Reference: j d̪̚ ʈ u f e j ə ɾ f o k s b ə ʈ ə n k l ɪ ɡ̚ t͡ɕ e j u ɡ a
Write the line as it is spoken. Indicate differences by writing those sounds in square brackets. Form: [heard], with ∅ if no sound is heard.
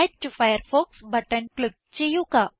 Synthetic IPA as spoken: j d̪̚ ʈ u f [a] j ə ɾ f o k s b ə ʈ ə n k l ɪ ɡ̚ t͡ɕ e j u [k] a